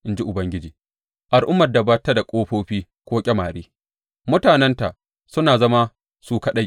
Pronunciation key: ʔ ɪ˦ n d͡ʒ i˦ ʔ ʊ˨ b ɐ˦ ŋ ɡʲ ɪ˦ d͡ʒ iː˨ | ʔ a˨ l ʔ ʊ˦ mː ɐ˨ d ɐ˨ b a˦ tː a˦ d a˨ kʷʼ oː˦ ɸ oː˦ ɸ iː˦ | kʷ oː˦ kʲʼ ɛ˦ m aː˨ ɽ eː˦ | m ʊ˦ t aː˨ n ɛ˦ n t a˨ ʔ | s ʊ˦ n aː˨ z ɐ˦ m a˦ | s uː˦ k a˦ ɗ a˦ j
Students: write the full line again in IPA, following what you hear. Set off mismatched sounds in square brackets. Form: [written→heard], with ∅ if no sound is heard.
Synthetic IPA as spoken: ʔ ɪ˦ n d͡ʒ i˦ ʔ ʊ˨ b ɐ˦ ŋ ɡʲ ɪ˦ d͡ʒ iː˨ | ʔ a˨ l ʔ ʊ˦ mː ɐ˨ d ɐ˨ b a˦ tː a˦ d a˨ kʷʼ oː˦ ɸ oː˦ ɸ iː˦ | kʷ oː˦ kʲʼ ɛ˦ m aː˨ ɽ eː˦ | m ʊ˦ t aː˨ n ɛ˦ n t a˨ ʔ | s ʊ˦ n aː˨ z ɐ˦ m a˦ | s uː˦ k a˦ ɗ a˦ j